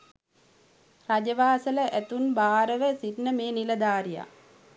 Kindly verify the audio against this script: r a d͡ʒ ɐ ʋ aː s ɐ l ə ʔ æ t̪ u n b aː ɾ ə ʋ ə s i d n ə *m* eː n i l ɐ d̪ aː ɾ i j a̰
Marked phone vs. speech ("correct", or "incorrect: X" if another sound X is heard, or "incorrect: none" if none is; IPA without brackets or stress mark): correct